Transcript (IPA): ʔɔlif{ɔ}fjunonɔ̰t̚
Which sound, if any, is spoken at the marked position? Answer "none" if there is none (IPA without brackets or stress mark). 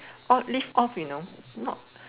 ɔ